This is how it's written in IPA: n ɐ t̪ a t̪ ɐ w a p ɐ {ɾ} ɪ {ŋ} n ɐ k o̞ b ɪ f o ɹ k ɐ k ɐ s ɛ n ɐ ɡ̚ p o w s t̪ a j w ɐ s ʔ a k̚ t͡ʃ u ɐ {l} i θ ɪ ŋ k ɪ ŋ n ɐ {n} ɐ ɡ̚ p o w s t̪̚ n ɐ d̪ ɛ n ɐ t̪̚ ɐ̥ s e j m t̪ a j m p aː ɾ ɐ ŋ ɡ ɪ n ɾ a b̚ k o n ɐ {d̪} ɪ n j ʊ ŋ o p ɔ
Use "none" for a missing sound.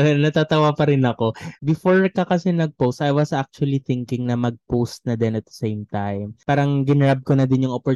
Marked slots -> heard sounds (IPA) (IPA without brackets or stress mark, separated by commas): ɾ, none, l, m, d̪